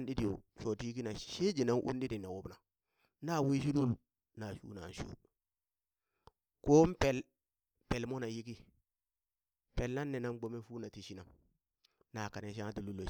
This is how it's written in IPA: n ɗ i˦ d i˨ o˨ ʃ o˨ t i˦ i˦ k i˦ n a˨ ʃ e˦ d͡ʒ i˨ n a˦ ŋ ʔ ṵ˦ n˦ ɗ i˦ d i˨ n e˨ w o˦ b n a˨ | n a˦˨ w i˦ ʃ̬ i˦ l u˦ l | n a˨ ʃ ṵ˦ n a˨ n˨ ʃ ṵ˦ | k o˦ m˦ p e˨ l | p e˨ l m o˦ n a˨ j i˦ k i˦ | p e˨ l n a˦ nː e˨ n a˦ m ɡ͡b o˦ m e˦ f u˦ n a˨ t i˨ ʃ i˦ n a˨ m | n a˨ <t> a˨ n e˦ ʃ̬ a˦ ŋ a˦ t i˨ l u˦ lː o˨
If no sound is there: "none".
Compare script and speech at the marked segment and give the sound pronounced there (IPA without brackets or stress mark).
k